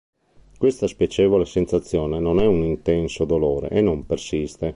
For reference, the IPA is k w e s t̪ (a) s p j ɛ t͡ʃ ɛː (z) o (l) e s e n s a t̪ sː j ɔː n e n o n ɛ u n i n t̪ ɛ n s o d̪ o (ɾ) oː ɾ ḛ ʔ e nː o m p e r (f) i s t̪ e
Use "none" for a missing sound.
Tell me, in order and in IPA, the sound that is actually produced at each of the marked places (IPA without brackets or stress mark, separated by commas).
a, v, l, l, s